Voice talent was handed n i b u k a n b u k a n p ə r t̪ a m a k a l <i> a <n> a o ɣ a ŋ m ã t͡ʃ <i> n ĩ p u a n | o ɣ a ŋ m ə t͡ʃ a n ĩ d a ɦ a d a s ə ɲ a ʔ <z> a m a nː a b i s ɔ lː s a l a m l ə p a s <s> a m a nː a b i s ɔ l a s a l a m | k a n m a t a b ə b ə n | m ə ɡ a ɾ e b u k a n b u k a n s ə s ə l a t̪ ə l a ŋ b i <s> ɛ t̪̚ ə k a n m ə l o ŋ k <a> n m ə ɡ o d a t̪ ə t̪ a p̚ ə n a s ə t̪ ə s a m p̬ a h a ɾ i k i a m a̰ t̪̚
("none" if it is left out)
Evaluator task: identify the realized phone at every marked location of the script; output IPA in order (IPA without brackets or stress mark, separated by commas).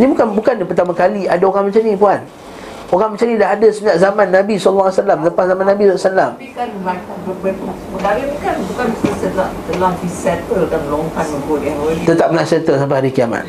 i, d, a, z, z, s, a